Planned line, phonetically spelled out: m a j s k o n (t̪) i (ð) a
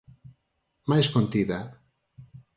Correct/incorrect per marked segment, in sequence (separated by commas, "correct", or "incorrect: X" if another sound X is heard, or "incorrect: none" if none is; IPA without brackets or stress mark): correct, correct